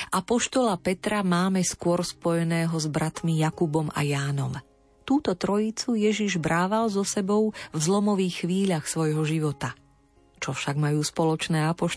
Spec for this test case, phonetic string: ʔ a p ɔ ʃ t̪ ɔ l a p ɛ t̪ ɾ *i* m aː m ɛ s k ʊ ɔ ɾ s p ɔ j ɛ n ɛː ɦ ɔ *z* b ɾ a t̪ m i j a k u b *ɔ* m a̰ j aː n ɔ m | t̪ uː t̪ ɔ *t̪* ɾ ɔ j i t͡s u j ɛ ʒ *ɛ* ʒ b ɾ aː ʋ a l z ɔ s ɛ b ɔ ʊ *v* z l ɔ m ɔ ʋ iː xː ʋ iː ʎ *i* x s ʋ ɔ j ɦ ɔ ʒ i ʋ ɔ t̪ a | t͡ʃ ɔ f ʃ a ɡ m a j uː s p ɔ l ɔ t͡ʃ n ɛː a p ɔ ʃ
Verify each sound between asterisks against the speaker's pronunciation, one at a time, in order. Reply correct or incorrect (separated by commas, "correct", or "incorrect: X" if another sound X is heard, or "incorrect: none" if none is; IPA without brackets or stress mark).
incorrect: a, correct, correct, correct, incorrect: i, correct, incorrect: a